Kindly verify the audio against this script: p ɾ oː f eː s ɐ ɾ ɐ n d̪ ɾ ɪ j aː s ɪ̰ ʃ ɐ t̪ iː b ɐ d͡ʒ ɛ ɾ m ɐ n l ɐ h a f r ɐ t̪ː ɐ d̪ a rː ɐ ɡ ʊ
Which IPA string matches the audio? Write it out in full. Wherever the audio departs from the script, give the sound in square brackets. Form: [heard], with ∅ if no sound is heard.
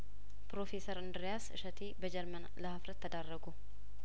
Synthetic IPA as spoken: p ɾ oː f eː s ɐ ɾ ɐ n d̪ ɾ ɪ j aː s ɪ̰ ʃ ɐ t̪ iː b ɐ d͡ʒ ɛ ɾ m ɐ n l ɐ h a f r ɐ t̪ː ɐ d̪ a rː ɐ ɡ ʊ